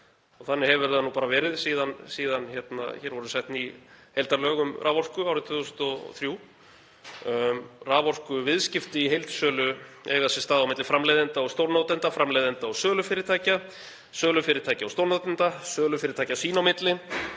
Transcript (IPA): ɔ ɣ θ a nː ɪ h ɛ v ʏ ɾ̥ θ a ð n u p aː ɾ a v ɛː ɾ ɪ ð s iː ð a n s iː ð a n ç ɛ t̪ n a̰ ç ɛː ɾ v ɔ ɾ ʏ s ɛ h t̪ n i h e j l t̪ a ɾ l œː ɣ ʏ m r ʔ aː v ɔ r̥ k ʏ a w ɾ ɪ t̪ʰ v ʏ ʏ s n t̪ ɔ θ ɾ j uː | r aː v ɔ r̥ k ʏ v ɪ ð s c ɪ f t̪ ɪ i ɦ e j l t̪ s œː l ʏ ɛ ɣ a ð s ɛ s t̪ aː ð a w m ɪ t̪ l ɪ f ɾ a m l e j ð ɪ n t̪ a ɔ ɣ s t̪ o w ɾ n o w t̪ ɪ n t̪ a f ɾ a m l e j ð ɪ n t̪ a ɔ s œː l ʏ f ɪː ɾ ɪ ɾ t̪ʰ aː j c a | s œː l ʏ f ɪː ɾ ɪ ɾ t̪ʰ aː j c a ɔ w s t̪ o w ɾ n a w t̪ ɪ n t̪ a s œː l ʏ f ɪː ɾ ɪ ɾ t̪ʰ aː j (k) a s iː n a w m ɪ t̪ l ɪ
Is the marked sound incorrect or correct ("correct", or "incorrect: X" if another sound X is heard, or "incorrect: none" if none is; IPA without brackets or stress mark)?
incorrect: c